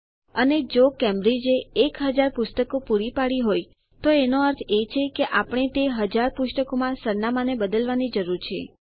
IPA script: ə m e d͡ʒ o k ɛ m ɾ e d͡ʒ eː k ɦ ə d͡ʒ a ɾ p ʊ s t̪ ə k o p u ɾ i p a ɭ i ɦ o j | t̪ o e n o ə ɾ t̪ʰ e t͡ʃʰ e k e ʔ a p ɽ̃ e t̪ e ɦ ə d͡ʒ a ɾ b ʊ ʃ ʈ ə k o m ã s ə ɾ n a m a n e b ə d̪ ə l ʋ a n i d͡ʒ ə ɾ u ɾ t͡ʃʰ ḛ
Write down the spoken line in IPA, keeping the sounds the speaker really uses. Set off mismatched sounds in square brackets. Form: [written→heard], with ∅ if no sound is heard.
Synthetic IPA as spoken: ə [m→n] e d͡ʒ o k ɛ m ɾ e d͡ʒ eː k ɦ ə d͡ʒ a ɾ p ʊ s t̪ ə k o p u ɾ i p a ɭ i ɦ o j | t̪ o e n o ə ɾ t̪ʰ e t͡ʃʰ e k e ʔ a p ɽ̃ e t̪ e ɦ ə d͡ʒ a ɾ [b→p] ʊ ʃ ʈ ə k o m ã s ə ɾ n a m a n e b ə d̪ ə l ʋ a n i d͡ʒ ə ɾ u ɾ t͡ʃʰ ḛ